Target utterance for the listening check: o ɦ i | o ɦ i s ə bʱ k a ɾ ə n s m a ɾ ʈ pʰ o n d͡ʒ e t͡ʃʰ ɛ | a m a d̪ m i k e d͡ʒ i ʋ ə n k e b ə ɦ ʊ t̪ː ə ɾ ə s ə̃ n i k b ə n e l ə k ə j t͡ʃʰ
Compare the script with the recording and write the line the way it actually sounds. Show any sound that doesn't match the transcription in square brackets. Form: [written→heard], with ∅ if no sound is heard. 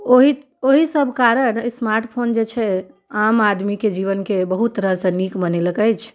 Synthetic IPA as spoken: o ɦ i | o ɦ i s ə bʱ k a ɾ ə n s m a ɾ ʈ pʰ o n d͡ʒ e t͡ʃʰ ɛ | a m a d̪ m i k e d͡ʒ i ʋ ə n k e b ə ɦ [ʊ→u] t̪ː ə ɾ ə s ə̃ n i k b ə n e l ə k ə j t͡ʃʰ